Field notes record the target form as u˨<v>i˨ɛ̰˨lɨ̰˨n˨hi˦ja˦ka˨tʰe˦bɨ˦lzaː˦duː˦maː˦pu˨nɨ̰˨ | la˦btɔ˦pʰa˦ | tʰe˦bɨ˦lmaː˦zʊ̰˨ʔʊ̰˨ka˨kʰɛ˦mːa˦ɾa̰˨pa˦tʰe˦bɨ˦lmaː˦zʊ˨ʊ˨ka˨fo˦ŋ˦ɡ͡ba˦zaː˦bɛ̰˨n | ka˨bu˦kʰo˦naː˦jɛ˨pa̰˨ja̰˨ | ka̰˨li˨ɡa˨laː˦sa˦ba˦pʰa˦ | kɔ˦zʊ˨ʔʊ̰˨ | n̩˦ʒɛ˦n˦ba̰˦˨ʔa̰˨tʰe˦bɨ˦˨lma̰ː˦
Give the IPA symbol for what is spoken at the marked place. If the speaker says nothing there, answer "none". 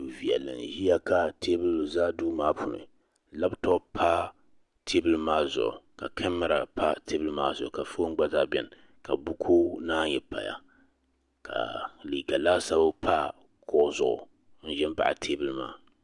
v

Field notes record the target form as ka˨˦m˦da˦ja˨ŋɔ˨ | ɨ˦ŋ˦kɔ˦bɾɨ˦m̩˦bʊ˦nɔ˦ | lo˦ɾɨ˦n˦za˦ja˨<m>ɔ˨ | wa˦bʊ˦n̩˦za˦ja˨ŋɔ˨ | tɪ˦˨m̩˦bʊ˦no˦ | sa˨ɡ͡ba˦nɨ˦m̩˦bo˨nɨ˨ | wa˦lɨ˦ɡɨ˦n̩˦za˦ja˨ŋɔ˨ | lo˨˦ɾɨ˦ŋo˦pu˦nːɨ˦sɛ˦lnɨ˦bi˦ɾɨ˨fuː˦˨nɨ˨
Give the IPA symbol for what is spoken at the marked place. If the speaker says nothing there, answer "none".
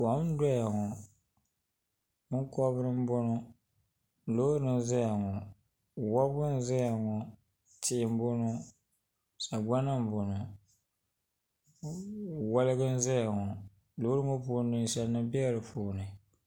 ŋ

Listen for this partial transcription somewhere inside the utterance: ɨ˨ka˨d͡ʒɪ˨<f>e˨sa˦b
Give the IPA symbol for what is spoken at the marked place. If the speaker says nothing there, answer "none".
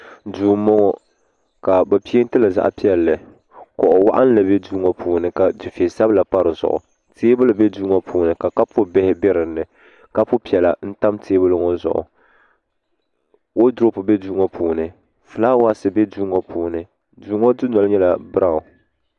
f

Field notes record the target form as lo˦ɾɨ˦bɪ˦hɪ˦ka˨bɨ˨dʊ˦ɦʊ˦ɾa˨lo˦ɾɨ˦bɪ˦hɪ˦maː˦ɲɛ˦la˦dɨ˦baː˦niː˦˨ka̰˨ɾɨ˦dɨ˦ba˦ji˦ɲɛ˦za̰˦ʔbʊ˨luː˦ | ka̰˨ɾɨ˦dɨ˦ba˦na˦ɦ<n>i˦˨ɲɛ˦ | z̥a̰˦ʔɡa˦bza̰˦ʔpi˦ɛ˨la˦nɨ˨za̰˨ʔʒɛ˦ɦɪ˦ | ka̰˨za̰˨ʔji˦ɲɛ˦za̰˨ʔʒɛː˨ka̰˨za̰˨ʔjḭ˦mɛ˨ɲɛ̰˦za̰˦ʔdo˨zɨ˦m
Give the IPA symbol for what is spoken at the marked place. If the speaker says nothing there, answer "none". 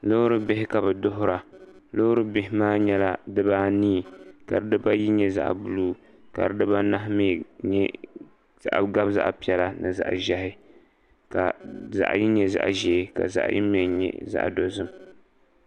m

